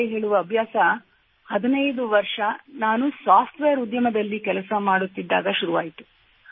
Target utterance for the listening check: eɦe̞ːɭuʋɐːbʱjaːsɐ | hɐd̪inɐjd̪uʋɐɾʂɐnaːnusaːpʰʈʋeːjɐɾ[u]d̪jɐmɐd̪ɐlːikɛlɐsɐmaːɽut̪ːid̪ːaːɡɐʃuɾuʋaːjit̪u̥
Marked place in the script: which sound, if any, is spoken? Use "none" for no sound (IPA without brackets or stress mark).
u